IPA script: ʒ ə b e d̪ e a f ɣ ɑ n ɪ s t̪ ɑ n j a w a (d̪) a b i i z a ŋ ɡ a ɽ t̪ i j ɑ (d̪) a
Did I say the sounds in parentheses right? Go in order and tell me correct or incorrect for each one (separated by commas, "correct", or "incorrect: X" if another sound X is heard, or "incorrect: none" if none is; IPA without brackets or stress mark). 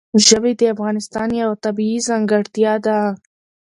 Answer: incorrect: t̪, correct